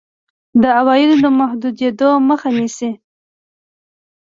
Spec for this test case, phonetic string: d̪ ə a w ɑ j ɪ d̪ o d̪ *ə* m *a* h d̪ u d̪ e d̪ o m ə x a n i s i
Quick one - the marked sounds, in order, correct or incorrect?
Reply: correct, correct

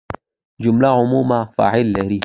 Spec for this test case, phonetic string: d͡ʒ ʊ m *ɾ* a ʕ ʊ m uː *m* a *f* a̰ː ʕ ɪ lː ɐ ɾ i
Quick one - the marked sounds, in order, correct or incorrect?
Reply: incorrect, correct, correct

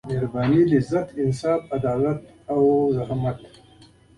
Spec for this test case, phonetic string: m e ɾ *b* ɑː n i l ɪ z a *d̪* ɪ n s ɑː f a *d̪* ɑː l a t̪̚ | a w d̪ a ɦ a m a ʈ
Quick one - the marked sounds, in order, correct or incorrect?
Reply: correct, incorrect, correct

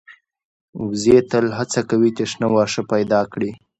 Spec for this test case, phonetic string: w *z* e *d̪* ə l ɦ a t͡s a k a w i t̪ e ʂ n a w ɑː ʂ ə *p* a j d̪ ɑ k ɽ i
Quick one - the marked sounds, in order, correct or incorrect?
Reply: correct, incorrect, correct

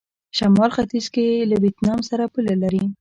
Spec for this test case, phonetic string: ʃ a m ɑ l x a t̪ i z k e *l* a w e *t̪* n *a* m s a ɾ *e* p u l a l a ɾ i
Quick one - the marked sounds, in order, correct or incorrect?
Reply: correct, correct, incorrect, incorrect

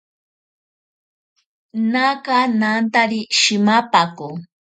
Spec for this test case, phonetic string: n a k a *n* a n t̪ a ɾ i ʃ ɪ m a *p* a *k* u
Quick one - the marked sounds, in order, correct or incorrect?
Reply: correct, correct, correct

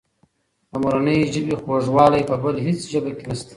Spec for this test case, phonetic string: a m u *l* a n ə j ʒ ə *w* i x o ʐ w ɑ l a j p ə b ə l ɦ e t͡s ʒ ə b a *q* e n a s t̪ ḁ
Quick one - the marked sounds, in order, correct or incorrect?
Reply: incorrect, incorrect, incorrect

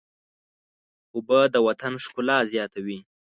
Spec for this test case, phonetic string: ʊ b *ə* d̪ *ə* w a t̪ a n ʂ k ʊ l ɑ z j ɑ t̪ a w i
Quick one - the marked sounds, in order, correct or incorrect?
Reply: correct, correct

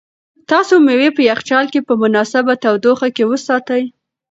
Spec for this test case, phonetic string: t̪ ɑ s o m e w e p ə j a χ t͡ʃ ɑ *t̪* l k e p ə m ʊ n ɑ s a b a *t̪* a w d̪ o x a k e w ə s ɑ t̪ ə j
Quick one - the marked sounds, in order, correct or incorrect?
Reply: incorrect, correct

